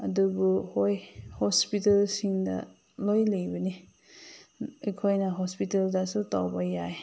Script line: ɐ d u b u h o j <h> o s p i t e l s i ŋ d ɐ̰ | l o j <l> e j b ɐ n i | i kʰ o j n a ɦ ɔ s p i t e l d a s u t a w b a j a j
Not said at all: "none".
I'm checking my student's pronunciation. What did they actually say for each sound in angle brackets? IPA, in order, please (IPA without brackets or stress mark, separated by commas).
h, l